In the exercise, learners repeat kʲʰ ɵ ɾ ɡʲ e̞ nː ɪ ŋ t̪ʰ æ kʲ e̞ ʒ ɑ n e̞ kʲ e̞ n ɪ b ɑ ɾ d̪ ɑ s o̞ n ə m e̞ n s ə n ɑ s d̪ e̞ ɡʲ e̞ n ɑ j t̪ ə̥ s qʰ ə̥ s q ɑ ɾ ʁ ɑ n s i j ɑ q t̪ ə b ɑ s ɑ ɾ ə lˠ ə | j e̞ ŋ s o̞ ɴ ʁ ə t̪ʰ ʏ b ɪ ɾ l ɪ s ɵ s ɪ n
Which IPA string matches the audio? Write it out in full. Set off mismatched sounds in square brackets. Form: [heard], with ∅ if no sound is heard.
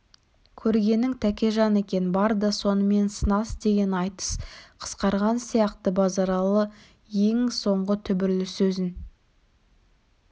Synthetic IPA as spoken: kʲʰ ɵ ɾ ɡʲ e̞ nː ɪ ŋ t̪ʰ æ kʲ e̞ ʒ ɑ n e̞ kʲ e̞ n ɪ b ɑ ɾ d̪ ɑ s o̞ n ə m e̞ n s ə n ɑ s d̪ e̞ ɡʲ e̞ n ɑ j t̪ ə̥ s qʰ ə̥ s q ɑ ɾ ʁ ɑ n s i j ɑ q t̪ ə b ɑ [z] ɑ ɾ [ɑ] lˠ ə | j e̞ ŋ s o̞ ɴ ʁ ə t̪ʰ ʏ b ɪ ɾ l ɪ s ɵ [z] ɪ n